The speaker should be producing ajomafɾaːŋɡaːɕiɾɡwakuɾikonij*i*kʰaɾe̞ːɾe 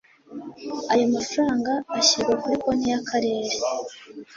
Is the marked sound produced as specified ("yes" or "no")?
no